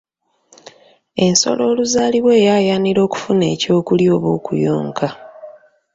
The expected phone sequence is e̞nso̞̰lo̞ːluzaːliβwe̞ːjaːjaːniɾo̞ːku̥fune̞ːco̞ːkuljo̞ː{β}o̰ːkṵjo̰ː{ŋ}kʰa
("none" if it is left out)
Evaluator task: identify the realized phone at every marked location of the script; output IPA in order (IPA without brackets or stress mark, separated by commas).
β, ŋ